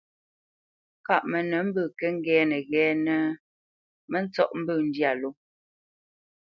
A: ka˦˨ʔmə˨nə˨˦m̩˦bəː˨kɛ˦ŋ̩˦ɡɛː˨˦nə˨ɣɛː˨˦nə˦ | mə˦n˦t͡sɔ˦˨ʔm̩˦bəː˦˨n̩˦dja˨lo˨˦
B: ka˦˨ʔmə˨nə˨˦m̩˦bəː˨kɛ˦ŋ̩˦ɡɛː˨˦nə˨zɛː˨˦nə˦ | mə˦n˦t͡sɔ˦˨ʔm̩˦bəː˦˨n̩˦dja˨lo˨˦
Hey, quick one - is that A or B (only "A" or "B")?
A